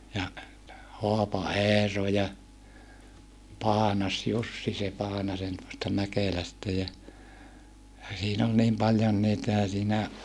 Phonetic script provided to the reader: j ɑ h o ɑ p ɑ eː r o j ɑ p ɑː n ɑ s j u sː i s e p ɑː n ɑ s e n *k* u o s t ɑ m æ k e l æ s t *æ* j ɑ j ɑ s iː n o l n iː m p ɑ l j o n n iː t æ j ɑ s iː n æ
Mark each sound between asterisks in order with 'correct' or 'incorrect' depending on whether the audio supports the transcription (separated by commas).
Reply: incorrect, correct